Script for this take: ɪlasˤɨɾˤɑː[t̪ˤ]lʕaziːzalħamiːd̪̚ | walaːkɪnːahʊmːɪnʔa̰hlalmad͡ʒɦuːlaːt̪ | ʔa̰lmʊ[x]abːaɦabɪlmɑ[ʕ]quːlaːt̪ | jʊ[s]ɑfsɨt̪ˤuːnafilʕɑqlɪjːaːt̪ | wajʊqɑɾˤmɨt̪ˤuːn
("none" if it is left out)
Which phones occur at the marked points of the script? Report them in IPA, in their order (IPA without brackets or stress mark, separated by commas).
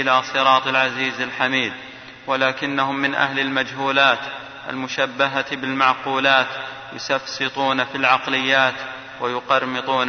t̪ˤ, ʃ, ʕ, s